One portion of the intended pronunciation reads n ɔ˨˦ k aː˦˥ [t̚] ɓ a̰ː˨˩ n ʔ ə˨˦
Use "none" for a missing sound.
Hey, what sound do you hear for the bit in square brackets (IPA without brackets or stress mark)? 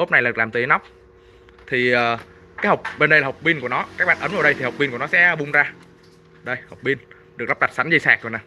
k̚